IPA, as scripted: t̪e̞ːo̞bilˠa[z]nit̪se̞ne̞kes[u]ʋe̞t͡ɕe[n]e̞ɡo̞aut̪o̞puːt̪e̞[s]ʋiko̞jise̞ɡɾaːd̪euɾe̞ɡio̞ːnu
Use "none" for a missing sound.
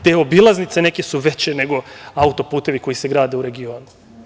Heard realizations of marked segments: z, u, n, none

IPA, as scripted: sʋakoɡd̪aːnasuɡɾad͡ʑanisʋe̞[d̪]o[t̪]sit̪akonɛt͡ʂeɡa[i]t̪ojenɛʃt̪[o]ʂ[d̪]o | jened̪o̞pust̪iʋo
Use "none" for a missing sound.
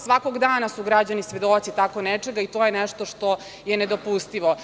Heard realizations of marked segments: d̪, t̪, i, o, t̪

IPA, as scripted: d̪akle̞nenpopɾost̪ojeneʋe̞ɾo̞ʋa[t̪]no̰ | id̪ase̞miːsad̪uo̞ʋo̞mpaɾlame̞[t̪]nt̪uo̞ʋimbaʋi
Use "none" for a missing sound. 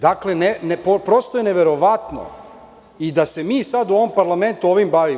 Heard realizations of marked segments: t̪, none

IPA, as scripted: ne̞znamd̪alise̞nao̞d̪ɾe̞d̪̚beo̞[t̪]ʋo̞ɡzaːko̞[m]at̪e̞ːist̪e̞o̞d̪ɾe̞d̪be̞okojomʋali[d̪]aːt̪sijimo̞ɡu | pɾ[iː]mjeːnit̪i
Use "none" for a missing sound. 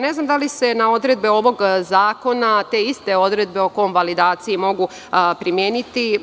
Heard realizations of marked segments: none, n, d̪, i

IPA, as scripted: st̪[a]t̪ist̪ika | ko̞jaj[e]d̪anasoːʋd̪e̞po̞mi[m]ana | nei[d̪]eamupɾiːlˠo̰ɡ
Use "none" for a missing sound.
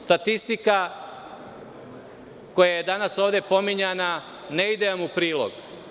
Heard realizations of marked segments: a, e, ɲ, d̪

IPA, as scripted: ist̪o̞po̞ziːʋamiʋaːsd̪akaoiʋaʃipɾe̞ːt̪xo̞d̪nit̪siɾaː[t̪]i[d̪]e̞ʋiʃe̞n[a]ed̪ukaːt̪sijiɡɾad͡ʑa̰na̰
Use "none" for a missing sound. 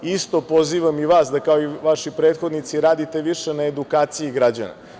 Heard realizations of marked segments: d̪, t̪, a

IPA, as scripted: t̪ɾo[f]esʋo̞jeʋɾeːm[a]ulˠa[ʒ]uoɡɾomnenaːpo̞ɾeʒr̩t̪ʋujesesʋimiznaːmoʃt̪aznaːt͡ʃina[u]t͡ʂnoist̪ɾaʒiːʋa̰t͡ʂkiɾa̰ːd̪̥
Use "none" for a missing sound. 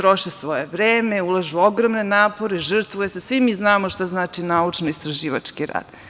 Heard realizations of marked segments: ʃ, e, ʒ, u

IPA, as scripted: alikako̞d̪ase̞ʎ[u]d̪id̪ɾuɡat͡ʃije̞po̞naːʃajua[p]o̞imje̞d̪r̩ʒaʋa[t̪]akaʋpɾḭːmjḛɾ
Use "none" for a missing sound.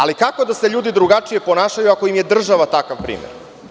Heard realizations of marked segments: uː, k, t̪

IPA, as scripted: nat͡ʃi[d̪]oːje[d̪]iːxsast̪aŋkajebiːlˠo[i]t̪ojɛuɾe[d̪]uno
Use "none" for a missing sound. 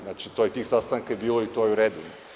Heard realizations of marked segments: t̪, t̪, i, d̪

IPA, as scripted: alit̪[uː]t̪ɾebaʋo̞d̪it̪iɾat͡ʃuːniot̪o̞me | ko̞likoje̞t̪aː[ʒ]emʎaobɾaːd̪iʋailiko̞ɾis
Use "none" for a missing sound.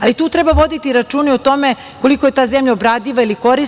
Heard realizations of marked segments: uː, z

